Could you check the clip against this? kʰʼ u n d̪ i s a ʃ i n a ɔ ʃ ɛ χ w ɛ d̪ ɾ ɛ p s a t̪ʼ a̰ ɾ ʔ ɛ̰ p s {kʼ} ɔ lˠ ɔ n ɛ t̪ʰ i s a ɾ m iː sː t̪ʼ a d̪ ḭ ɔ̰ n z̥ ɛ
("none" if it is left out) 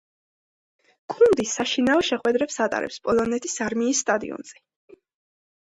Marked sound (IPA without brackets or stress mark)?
pʼ